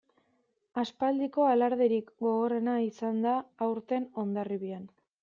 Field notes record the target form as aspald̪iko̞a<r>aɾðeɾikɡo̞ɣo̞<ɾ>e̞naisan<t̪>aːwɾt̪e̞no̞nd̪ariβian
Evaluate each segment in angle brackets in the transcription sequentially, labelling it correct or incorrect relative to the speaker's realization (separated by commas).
incorrect, incorrect, incorrect